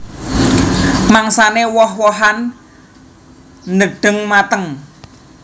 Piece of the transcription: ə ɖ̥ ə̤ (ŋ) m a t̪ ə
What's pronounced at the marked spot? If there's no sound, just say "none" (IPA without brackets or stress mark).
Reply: ŋ